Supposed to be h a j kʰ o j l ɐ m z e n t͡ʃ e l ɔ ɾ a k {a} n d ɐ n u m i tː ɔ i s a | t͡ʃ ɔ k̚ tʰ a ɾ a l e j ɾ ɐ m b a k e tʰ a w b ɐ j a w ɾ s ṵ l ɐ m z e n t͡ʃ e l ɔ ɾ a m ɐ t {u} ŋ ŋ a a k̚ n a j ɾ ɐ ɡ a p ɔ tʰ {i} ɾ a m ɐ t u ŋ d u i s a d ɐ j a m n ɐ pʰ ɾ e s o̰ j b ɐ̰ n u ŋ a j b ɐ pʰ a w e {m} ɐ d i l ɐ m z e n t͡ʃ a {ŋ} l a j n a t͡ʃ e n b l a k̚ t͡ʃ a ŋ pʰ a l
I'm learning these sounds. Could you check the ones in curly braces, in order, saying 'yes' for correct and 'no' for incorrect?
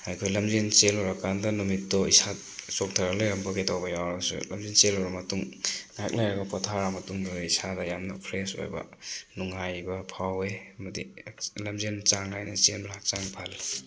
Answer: yes, yes, no, yes, yes

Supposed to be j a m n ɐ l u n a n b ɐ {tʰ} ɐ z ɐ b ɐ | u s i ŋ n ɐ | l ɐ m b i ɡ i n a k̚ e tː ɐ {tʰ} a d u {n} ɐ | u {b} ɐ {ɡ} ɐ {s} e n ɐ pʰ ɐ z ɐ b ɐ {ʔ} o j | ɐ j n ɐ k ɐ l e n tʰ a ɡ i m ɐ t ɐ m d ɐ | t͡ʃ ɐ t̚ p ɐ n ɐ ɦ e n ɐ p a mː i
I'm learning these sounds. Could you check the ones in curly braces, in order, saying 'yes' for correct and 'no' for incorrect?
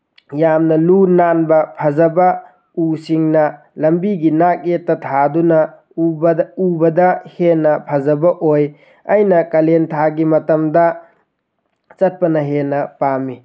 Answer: no, yes, yes, yes, no, no, yes

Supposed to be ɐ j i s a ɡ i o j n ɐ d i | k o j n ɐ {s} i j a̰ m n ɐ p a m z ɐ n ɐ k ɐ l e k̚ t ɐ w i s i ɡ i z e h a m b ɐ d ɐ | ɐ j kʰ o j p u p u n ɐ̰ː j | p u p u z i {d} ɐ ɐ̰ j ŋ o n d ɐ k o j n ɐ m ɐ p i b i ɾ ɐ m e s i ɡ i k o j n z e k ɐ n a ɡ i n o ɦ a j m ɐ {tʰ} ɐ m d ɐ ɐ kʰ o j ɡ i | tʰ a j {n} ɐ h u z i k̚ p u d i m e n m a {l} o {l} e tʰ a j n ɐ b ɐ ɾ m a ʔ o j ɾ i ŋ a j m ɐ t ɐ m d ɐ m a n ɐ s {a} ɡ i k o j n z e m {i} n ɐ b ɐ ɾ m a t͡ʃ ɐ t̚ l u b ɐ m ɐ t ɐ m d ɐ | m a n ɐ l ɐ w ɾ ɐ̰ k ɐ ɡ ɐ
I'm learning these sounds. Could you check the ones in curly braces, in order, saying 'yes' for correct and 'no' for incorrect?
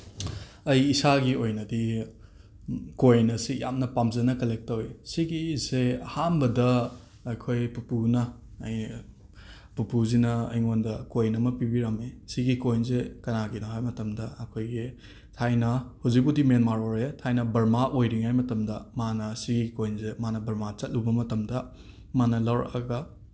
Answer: yes, no, no, yes, no, no, no, no

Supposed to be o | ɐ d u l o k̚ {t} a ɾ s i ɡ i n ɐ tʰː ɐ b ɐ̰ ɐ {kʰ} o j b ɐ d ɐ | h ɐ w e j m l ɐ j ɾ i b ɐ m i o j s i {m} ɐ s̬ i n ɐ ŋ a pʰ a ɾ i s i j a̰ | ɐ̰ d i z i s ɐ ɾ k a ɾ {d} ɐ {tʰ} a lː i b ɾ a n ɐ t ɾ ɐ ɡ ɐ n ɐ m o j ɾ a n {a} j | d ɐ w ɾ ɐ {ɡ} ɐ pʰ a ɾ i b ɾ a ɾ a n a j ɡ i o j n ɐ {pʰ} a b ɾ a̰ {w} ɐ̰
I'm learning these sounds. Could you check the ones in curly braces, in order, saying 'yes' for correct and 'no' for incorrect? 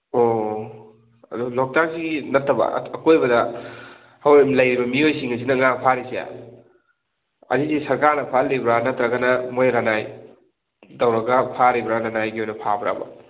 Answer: yes, no, no, no, no, yes, yes, yes, no

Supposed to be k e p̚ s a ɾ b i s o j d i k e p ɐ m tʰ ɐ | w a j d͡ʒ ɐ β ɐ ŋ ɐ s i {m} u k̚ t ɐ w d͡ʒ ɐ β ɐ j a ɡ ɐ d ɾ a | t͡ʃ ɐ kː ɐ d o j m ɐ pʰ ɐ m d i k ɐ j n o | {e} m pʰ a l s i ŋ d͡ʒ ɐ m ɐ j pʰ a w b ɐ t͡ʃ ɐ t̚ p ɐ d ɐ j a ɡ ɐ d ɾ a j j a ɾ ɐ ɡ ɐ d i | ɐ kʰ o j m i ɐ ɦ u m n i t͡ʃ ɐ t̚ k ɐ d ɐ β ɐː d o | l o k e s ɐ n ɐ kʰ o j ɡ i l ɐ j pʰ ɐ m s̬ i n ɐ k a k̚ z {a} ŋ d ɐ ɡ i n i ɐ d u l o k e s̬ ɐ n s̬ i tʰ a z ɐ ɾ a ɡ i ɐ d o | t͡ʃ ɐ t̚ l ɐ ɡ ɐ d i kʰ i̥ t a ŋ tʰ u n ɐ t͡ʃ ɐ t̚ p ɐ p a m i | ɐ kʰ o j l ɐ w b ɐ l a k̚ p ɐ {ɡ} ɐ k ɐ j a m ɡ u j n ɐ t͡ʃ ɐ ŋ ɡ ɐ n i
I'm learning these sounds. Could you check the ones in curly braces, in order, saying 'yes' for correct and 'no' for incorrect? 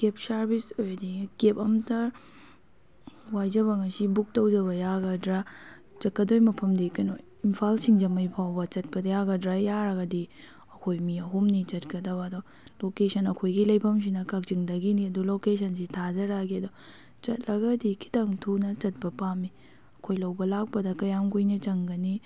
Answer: no, no, no, no

